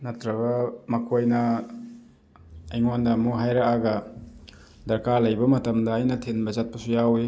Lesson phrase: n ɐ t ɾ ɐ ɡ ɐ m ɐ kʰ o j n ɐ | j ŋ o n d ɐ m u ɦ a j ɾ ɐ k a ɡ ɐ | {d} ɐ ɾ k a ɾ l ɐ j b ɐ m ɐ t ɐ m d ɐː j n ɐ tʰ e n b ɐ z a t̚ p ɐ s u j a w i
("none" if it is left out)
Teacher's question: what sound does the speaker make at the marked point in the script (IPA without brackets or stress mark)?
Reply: d